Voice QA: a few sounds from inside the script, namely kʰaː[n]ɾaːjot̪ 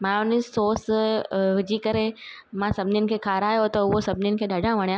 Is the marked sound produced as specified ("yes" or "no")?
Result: no